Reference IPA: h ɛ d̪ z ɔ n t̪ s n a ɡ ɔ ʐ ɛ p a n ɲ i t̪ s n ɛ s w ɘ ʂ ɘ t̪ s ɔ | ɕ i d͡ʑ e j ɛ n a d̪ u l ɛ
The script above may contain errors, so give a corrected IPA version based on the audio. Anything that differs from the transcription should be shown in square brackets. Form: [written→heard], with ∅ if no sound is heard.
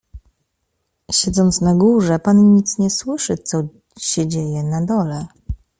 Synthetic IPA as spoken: [h→ɕ] ɛ d̪ z ɔ n t̪ s n a ɡ [ɔ→u] ʐ ɛ p a n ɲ i t̪ s [n→ɲ] ɛ s w ɘ ʂ ɘ t̪ s ɔ | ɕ [i→ɛ] d͡ʑ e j ɛ n a d̪ [u→ɔ] l ɛ